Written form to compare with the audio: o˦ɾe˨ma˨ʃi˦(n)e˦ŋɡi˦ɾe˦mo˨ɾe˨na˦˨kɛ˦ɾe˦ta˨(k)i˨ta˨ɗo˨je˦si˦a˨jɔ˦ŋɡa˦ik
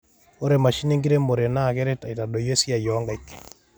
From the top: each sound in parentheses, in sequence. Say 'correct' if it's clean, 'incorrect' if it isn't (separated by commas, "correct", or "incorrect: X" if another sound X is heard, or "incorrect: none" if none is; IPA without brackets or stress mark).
correct, incorrect: none